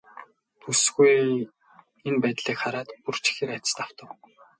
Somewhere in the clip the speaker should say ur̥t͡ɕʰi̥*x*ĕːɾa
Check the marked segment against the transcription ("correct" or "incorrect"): correct